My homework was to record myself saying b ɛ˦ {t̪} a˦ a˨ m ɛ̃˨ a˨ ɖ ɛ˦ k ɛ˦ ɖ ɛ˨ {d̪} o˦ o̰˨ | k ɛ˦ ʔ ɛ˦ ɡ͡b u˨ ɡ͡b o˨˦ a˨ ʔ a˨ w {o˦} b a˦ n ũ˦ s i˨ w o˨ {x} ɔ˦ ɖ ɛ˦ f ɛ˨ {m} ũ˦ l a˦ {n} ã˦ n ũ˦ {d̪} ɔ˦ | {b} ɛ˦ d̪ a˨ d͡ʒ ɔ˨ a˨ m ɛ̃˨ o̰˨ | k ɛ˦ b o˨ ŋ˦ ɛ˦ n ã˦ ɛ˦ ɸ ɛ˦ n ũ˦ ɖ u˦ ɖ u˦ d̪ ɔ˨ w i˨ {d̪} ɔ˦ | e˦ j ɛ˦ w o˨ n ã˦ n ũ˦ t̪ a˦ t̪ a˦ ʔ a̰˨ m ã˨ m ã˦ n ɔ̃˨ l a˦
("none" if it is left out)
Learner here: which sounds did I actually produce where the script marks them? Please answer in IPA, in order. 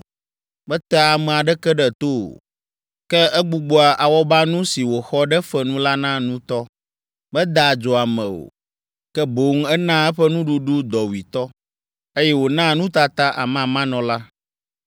t̪, t̪, ɔ˦, x, n, n, t̪, b, t̪

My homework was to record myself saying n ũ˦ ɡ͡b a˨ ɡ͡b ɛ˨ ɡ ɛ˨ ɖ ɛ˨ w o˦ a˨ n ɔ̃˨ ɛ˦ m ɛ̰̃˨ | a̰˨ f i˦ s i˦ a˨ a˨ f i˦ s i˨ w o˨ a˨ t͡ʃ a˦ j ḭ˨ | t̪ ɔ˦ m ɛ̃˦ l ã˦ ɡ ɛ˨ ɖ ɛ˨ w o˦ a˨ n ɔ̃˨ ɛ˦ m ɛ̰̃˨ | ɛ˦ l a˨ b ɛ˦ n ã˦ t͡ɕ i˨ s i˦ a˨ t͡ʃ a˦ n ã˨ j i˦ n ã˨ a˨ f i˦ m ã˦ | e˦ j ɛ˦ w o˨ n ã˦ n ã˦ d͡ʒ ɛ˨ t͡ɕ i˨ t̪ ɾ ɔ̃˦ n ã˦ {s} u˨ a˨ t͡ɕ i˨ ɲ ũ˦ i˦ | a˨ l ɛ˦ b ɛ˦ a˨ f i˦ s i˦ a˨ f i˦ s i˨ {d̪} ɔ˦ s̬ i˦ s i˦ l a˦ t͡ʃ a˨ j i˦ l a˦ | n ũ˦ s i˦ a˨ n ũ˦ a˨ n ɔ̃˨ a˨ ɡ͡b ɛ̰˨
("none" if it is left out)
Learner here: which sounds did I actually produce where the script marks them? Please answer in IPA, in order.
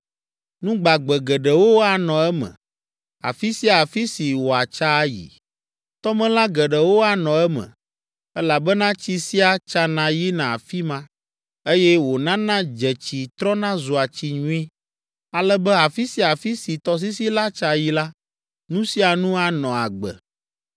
z, t̪

